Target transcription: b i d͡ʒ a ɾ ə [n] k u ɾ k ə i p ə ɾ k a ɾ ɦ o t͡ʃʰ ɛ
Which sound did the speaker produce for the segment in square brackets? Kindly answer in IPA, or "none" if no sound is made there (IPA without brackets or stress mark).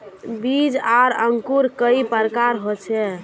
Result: ŋ